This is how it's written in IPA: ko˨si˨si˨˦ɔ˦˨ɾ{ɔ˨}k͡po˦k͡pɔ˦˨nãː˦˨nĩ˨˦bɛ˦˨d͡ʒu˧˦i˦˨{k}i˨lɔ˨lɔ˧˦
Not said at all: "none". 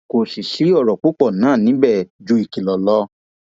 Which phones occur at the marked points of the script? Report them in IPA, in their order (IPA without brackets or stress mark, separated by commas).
ɔ˨, k